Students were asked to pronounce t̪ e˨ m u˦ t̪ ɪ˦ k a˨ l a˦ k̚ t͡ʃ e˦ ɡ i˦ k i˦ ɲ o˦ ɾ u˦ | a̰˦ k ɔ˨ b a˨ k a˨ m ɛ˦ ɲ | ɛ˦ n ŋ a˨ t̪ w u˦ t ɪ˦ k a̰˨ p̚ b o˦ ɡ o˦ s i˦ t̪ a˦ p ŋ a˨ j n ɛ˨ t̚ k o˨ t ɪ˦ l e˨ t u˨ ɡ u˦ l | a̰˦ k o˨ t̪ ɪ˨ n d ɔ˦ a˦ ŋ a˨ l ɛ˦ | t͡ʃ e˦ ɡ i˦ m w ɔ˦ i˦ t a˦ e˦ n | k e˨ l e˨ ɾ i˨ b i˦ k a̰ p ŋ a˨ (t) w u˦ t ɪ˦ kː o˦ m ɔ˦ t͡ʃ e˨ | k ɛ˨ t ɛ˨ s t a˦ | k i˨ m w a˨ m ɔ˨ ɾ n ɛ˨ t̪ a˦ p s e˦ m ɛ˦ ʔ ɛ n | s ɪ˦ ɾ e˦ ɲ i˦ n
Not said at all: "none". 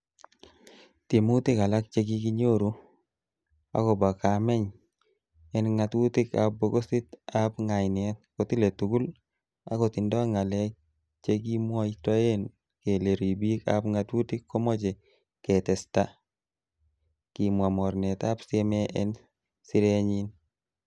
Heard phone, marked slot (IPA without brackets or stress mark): t